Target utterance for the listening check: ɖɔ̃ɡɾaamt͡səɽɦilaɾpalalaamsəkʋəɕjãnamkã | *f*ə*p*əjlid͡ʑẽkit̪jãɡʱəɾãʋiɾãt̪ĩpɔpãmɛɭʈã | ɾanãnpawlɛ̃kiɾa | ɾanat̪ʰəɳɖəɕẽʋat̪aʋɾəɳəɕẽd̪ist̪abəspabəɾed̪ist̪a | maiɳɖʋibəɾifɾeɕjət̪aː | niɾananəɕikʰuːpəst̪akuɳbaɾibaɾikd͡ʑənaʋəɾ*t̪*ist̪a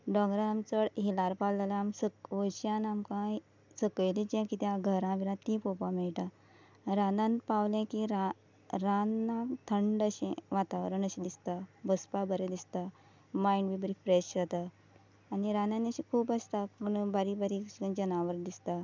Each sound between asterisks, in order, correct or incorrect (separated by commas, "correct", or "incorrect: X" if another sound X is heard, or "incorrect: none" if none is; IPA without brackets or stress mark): incorrect: s, incorrect: k, incorrect: d̪